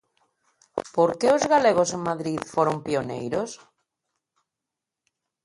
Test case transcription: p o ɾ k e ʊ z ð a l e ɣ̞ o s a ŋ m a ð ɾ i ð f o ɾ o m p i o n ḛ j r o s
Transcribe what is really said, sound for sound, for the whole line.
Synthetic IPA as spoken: p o ɾ k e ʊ z ɣ a l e ɣ̞ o s e ŋ m a ð ɾ i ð f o ɾ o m p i o n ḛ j ɾ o s

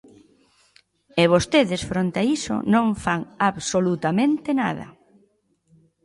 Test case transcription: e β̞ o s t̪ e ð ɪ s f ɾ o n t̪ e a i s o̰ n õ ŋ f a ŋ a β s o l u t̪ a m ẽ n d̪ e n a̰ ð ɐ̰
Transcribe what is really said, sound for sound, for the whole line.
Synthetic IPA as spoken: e β̞ o s t̪ e ð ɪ s f ɾ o n t̪ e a i s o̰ n õ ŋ f a ŋ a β s o l u t̪ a m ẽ n t̪ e n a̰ ð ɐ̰

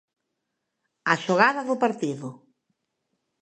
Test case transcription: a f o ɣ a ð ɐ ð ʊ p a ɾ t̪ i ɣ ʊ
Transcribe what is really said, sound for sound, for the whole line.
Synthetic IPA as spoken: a ʃ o ɣ a ð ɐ ð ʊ p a ɾ t̪ i ð ʊ

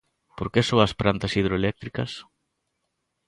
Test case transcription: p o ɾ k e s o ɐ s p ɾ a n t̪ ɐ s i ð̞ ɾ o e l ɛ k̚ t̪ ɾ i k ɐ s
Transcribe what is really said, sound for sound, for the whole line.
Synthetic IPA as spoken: p o ɾ k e s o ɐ s p ɾ a n t̪ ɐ s i ð̞ ɾ o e l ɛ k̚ t̪ ɾ i k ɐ s

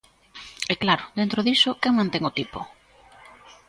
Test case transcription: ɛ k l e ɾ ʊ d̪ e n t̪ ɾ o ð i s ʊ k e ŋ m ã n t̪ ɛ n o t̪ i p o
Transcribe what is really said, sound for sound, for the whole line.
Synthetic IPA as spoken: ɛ k l a ɾ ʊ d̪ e n t̪ ɾ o ð i s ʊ k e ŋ m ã n t̪ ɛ ŋ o t̪ i p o

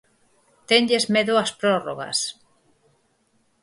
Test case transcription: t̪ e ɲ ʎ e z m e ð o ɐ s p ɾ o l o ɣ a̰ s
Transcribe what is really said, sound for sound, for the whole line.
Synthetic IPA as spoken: t̪ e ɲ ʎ e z m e ð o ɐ s p ɾ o r o ɣ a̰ s

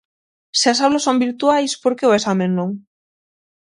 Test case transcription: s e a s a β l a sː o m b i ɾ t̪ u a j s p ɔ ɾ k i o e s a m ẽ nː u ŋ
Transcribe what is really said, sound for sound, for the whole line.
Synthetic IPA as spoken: s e a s a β l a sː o m b i ɾ t̪ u a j s p o ɾ k e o e s a m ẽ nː o ŋ

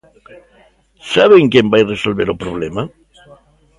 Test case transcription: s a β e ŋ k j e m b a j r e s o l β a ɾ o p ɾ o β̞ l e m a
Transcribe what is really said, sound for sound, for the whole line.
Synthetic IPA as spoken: s a β e ŋ k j e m b a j r e s o l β e ɾ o p ɾ o β̞ l e m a

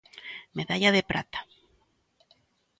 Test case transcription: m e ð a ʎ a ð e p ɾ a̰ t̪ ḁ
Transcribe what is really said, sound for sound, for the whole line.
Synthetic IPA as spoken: m e ð a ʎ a ð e p ɾ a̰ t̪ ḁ

